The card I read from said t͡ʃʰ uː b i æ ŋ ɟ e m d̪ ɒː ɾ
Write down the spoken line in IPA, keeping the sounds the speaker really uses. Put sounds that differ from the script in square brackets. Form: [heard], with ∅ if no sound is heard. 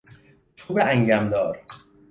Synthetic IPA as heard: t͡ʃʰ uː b [e] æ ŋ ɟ [æ] m d̪ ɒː ɾ